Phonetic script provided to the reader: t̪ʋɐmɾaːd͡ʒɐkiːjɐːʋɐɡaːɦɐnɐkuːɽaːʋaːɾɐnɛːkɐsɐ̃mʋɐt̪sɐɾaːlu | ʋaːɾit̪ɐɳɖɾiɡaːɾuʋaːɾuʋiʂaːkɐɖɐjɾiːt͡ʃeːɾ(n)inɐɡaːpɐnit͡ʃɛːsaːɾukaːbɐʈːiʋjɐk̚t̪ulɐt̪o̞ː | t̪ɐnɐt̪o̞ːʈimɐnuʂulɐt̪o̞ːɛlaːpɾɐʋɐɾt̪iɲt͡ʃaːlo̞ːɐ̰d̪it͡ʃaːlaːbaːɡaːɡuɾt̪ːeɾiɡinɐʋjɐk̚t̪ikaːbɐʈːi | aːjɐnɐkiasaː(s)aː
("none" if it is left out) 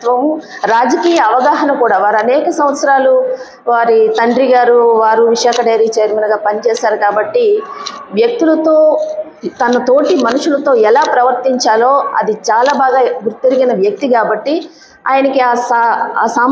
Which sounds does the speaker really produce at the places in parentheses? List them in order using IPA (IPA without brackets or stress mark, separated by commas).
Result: m, s